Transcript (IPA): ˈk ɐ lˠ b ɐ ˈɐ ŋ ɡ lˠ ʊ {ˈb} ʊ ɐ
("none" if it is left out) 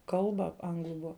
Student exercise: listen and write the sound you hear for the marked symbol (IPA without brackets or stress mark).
b